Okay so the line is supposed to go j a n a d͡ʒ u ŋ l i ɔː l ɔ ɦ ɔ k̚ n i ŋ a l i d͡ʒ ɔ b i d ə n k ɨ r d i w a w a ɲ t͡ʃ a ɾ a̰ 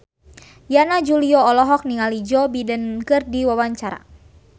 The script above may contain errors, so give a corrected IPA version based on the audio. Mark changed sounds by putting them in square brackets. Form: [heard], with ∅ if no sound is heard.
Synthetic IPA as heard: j a n a d͡ʒ u [∅] l i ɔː l ɔ ɦ ɔ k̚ n i ŋ a l i d͡ʒ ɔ b i d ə n k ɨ r d i w a w a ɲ t͡ʃ a ɾ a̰